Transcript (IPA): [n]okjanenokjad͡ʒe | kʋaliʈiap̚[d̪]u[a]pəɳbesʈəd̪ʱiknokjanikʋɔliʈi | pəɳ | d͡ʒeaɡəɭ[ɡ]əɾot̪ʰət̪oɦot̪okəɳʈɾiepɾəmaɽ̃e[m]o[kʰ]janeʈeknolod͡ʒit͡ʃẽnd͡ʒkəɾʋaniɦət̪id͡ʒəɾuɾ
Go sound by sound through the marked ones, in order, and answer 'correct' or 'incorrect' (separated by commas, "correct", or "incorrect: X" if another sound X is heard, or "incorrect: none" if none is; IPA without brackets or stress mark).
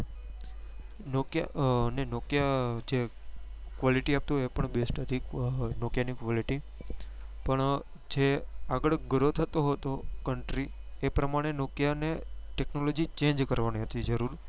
correct, incorrect: t̪, incorrect: e, correct, incorrect: n, incorrect: k